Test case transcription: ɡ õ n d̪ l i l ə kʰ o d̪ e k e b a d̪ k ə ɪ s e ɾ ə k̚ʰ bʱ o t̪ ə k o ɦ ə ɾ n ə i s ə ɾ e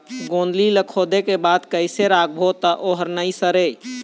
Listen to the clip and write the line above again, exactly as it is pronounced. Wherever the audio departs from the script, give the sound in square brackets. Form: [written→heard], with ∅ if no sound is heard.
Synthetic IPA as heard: ɡ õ n d̪ l i l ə kʰ o d̪ e k e b a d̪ k ə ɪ s e ɾ [ə→a] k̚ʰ bʱ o t̪ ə [k→ʔ] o ɦ ə ɾ n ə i s ə ɾ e